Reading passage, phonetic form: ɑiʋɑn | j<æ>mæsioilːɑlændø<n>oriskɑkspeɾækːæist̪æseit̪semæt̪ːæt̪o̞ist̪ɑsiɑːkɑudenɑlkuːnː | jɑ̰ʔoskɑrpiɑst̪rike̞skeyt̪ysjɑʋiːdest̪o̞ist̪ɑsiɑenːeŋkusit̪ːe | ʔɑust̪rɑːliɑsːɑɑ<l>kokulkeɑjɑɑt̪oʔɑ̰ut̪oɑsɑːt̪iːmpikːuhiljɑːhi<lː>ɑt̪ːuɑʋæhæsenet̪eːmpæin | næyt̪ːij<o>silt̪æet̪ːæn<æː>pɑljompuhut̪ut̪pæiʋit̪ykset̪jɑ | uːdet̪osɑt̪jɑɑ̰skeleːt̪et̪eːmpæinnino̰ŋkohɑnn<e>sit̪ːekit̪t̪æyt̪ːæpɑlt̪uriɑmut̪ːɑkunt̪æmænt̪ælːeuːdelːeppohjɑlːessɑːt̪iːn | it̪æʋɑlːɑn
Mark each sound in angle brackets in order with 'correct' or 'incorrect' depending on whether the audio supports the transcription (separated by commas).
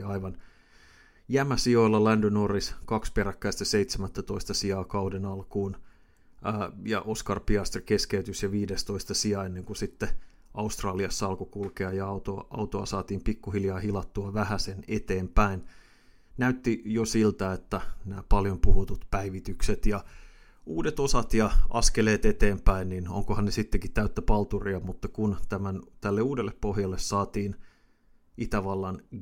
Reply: correct, correct, correct, incorrect, correct, correct, correct